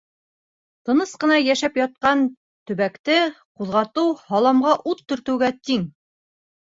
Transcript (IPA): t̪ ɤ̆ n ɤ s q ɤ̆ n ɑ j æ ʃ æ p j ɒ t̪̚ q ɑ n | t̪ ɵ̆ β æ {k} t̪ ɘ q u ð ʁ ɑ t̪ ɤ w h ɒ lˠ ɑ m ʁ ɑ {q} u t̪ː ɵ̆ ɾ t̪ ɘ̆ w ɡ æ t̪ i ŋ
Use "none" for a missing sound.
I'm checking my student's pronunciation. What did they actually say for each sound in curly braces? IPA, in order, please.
k, ʔ

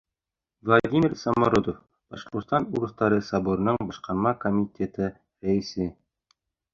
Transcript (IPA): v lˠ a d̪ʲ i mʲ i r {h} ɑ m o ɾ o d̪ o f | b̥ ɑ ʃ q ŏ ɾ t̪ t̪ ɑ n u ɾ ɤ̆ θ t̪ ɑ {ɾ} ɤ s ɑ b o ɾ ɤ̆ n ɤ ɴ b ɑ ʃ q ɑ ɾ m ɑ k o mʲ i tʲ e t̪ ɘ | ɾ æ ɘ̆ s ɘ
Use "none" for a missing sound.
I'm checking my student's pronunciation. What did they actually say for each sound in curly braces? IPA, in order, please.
s, ɾ

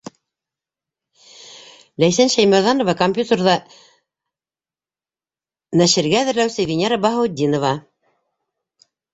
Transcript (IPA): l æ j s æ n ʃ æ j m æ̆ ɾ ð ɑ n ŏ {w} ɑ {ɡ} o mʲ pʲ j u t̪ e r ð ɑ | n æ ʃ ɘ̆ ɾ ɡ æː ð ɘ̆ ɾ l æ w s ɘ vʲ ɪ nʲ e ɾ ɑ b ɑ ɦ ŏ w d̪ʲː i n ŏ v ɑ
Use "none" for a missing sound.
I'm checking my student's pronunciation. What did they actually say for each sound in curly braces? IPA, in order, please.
v, k

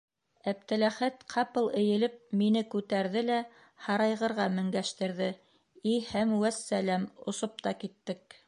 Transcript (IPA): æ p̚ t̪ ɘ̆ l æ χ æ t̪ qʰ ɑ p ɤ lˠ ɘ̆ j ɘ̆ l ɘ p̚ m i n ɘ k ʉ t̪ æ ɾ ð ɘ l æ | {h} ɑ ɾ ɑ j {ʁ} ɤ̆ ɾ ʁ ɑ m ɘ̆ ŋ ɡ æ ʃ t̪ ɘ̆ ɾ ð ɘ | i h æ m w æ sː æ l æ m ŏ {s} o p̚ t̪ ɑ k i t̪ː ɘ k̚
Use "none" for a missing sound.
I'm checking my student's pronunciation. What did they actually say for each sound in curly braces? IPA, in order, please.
h, ʁ, s

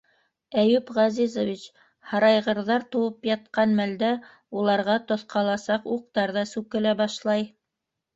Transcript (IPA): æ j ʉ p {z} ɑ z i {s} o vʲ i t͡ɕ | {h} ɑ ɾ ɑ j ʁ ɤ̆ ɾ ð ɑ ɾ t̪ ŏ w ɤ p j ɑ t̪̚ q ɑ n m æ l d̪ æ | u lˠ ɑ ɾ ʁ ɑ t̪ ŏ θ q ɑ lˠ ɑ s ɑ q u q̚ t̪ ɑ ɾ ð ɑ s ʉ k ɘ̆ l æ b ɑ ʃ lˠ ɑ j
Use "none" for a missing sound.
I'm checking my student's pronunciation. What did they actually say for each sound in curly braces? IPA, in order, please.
ʁ, z, h

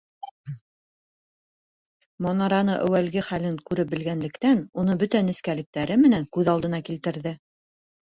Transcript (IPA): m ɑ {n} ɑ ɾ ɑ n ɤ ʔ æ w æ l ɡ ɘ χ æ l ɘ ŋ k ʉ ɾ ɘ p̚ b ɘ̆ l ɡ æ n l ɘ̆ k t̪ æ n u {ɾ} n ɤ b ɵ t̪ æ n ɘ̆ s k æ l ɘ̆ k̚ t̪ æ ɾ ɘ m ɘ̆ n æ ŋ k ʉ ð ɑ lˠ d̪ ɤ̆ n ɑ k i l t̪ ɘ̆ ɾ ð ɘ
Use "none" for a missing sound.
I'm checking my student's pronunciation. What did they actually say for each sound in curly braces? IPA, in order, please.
n, none

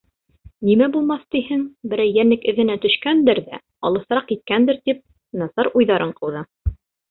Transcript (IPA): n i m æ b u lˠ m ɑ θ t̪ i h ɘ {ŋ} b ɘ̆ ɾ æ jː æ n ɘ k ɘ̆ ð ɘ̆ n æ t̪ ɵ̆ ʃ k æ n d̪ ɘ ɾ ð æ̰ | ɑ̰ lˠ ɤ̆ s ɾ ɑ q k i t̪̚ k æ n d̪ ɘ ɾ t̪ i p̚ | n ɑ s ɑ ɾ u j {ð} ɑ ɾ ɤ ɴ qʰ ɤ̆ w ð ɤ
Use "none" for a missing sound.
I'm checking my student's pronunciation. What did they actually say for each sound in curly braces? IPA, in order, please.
ŋ, ð

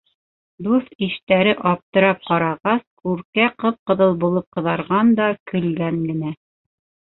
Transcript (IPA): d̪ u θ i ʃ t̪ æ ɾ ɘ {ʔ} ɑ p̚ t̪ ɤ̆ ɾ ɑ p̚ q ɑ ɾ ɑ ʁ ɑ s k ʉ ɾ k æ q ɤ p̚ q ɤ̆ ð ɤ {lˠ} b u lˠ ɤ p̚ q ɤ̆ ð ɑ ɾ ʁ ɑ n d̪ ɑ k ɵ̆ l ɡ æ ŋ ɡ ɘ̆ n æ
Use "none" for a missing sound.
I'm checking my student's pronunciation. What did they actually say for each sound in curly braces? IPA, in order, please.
ʔ, lˠ

